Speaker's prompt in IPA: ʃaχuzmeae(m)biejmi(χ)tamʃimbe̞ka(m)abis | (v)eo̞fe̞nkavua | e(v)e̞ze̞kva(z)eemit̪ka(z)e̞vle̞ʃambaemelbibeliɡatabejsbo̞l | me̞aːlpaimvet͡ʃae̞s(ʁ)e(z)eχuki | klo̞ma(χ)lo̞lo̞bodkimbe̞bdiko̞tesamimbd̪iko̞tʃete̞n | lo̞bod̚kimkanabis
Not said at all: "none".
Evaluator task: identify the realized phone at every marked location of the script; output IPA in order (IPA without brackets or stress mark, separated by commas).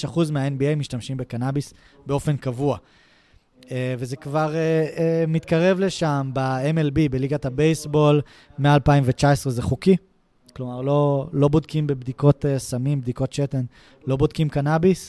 n, ʃ, n, b, v, ʁ, ʁ, ʁ, z, ʁ